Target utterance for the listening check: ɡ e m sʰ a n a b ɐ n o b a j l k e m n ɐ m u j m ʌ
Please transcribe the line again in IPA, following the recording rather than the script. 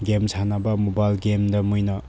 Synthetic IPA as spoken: ɡ e m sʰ a n a b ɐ m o b a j l ɡ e m d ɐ m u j n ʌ